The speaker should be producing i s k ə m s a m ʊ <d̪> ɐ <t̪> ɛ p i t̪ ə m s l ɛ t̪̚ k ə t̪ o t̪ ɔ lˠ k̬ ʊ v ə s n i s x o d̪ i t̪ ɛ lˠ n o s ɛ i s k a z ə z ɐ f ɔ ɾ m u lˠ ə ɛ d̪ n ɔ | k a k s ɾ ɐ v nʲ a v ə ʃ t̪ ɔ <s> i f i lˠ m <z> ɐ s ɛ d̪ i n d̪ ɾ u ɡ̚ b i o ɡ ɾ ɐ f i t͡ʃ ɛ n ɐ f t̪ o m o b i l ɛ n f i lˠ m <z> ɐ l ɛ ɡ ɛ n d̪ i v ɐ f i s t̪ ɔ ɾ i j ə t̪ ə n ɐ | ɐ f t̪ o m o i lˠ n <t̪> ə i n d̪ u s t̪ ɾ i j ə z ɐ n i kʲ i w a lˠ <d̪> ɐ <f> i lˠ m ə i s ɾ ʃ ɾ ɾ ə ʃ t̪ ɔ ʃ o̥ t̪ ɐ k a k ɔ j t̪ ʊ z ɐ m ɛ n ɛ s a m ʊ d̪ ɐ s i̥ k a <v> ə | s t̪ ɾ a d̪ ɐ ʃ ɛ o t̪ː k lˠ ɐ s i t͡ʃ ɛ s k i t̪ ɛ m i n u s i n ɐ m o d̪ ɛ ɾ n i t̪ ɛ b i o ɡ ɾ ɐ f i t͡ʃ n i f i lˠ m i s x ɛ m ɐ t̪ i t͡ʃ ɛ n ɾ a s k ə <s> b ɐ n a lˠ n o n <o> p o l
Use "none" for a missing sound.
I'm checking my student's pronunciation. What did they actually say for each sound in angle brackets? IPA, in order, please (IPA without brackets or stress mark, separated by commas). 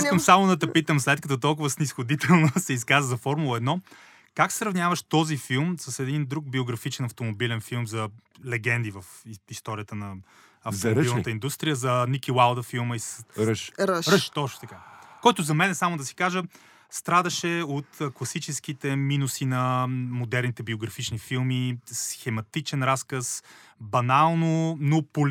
d̪, t̪, z, s, z, t̪, d̪, f, ʒ, s, o